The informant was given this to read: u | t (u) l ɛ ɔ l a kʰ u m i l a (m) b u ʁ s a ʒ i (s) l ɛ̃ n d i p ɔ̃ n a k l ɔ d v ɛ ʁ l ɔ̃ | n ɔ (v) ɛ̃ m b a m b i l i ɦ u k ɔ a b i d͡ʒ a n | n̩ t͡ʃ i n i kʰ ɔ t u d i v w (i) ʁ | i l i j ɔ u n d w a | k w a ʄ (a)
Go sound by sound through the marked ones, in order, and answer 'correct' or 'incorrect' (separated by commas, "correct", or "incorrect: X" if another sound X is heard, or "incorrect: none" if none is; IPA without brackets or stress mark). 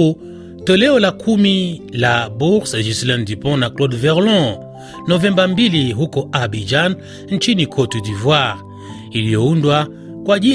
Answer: incorrect: ɔ, incorrect: none, correct, correct, incorrect: a, incorrect: i